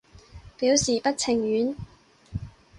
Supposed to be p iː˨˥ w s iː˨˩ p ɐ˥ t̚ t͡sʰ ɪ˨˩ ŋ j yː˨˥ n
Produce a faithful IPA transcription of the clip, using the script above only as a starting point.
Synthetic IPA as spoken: p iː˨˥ w s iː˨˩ p ɐ˥ t̚ t͡sʰ ɪ˨˩ ŋ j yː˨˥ n